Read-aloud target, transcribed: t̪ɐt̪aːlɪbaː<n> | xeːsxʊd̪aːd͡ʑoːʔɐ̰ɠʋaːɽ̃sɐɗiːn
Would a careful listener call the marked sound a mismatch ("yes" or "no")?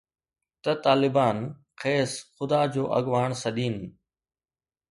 no